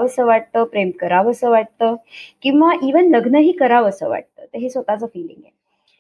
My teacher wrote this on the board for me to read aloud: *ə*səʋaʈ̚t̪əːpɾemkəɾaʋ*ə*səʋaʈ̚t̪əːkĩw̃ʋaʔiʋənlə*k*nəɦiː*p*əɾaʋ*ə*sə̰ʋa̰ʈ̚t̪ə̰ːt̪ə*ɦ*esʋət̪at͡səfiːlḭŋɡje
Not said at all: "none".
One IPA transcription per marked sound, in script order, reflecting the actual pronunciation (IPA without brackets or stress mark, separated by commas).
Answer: ə, ə, ɡ, k, ə, ɦ